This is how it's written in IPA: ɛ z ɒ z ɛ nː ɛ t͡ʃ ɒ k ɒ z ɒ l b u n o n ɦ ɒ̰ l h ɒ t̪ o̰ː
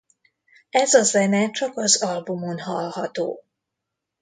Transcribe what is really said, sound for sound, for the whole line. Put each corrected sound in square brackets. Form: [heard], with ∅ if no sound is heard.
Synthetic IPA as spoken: ɛ z ɒ z ɛ [n] ɛ t͡ʃ ɒ k ɒ z ɒ l b u [m] o n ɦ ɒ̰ l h ɒ t̪ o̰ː